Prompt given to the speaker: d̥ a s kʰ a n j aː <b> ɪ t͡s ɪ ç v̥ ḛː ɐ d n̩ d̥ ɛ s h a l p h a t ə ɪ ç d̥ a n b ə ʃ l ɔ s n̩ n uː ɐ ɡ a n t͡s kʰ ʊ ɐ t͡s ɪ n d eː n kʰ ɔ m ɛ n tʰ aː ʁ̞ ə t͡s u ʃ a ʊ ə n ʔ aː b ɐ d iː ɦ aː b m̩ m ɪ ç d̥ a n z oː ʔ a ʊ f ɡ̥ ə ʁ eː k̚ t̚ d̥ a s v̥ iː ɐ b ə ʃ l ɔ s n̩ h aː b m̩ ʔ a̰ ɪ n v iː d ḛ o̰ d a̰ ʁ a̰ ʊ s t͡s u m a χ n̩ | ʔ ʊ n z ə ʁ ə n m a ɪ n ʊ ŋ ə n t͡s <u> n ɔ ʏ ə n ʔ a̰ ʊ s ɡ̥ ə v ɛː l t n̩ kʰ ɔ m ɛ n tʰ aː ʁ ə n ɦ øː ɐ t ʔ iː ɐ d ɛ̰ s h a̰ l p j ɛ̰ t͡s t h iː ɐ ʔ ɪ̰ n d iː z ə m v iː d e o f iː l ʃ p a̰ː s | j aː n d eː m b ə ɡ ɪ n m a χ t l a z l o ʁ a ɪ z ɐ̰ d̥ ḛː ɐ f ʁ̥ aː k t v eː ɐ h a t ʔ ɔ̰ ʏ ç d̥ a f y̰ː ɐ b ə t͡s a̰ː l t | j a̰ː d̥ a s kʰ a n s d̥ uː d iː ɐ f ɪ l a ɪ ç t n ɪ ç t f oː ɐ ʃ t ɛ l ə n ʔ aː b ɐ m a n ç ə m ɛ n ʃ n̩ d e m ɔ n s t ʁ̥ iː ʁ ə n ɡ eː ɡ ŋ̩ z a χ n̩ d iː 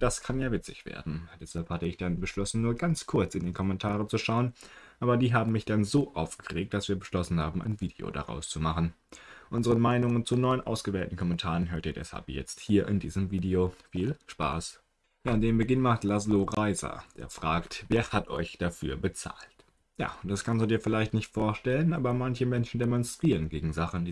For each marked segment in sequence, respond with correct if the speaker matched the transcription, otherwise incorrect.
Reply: incorrect: v, correct

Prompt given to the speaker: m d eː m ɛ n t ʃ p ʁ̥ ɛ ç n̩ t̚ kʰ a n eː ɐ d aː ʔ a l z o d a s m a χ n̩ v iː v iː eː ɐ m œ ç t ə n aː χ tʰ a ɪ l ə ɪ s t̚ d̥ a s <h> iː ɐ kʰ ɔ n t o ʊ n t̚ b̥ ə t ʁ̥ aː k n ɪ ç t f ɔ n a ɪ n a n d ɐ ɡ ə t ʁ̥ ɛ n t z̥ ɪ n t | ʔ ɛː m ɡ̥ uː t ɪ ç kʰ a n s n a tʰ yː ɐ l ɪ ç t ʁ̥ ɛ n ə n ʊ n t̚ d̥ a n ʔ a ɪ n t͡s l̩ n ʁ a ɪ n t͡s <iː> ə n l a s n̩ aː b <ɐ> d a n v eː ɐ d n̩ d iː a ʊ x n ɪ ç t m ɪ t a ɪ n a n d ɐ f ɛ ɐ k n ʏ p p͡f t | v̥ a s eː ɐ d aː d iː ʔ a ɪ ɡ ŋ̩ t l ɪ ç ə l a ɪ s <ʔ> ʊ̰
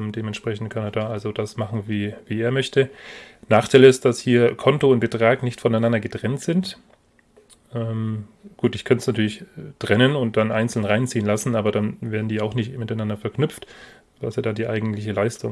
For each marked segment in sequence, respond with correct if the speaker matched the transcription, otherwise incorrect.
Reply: correct, correct, correct, incorrect: t

